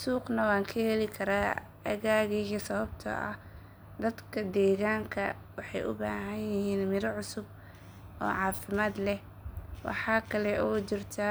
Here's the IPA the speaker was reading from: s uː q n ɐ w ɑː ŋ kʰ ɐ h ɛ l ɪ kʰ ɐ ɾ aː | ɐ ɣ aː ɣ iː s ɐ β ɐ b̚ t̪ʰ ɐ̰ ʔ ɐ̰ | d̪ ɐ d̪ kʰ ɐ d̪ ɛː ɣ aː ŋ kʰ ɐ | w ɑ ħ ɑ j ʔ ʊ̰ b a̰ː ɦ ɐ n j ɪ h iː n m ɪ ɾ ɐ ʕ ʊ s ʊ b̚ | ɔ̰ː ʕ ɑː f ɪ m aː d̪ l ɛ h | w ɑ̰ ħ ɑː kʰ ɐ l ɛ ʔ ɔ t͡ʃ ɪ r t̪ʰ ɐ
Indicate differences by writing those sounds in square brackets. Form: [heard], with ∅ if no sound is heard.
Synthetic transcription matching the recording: s uː q n ɐ w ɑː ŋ kʰ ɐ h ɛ l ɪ kʰ ɐ ɾ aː | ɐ ɣ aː ɣ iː s ɐ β ɐ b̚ t̪ʰ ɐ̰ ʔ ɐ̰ | d̪ ɐ d̪ kʰ ɐ d̪ ɛː ɣ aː ŋ kʰ ɐ | w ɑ ħ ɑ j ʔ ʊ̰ b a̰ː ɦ ɐ n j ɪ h iː n m ɪ ɾ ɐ ʕ ʊ s ʊ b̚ | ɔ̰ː ʕ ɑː f ɪ m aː d̪ l ɛ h | w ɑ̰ ħ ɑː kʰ ɐ l ɛ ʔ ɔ t͡ʃ ɪ r t̪ʰ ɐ